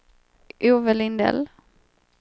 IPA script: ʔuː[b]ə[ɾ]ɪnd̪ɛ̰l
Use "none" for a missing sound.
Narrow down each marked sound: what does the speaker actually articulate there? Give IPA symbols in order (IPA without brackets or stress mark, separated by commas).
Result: v, l